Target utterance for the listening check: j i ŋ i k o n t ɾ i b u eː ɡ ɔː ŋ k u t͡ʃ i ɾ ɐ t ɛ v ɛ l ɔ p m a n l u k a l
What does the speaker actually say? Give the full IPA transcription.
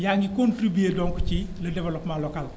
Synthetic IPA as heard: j a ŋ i k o n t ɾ i b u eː d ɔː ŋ k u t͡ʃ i l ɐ d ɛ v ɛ l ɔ p m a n l ɔ k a l